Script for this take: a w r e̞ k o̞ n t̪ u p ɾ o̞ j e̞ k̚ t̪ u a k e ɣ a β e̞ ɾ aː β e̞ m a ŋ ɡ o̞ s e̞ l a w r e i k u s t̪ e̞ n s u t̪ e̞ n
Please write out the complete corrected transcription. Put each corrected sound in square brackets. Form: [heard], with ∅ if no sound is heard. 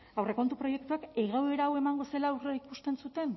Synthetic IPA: a w r e̞ k o̞ n t̪ u p ɾ o̞ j e̞ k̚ t̪ u a k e ɣ a [w] e̞ ɾ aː [w] e̞ m a ŋ ɡ o̞ s e̞ l a w r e i k u s t̪ e̞ n s u t̪ e̞ n